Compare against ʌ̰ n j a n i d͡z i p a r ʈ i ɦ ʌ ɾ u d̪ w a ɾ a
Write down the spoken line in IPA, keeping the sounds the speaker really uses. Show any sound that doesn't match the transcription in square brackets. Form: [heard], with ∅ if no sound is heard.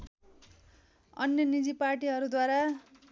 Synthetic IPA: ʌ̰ n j [ʌ] n i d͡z i p a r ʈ i ɦ ʌ ɾ u d̪ w a ɾ a